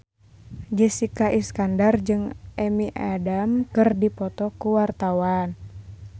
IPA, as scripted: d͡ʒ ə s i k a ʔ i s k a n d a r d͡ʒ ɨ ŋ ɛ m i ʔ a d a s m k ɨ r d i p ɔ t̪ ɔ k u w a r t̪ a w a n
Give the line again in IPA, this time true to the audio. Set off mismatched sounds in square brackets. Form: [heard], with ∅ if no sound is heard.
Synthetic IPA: d͡ʒ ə s i k a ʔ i s k a n d a r d͡ʒ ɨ ŋ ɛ m i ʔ a d a [∅] m k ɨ r d i p ɔ t̪ ɔ k u w a r t̪ a w a n